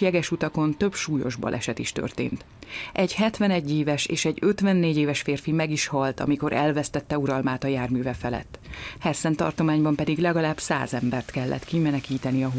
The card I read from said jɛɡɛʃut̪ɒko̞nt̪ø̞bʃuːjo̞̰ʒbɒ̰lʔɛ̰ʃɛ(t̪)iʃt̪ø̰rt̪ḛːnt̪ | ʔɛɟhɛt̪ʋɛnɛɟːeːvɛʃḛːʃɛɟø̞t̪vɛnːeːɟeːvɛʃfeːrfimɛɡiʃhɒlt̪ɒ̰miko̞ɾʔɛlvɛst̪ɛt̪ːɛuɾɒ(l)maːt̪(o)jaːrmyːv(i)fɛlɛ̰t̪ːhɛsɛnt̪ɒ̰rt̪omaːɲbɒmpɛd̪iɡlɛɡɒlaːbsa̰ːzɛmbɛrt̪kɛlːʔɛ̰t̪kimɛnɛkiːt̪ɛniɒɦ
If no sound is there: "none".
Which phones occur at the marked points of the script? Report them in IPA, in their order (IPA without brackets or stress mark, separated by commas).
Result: t̪, l, ɒ, ɛ